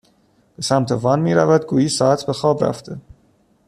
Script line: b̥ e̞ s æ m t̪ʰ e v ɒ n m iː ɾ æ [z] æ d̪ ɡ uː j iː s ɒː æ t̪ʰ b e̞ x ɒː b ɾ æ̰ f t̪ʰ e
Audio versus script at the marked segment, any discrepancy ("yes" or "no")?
yes